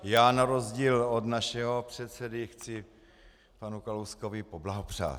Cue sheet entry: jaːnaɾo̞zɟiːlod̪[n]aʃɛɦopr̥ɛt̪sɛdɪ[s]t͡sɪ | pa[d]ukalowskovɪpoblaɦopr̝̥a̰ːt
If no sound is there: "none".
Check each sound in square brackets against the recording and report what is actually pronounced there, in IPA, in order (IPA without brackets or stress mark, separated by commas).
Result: n, x, n